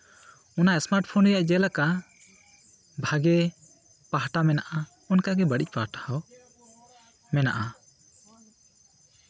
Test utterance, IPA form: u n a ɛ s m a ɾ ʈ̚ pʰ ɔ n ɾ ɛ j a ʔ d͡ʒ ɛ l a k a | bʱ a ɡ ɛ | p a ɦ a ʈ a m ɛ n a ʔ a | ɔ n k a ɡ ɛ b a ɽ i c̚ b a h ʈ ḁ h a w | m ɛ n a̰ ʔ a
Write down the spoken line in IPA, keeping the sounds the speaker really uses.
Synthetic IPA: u n a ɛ s m a ɾ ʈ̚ pʰ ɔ n ɾ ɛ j a ʔ d͡ʒ ɛ l a k a | bʱ a ɡ ɛ | p a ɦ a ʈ a m ɛ n a ʔ a | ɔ n k a ɡ ɛ b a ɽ i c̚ p a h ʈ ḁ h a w | m ɛ n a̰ ʔ a